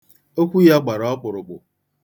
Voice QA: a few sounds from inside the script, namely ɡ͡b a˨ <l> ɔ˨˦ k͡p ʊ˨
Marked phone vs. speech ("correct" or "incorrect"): incorrect